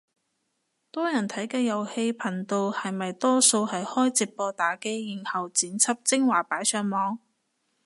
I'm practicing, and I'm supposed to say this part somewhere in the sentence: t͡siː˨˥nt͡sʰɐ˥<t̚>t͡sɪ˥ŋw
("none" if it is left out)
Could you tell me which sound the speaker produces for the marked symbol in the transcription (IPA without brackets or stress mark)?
p̚